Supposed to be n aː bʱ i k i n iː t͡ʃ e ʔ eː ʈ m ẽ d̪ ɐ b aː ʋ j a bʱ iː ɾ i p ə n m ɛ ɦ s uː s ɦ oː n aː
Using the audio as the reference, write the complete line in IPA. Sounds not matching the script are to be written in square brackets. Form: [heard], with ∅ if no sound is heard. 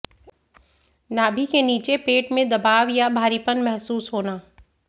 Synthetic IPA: n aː bʱ i k [e] n iː t͡ʃ e [p] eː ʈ m ẽ d̪ ɐ b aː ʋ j a bʱ [aː] ɾ i p ə n m ɛ ɦ s uː s ɦ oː n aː